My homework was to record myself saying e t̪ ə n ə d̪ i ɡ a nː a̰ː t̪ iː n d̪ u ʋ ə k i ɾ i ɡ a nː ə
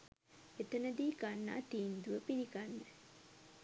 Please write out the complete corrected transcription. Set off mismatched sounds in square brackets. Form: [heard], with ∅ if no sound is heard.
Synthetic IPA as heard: e t̪ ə n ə d̪ [iː] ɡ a nː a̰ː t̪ iː n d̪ u ʋ ə [p] i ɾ i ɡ a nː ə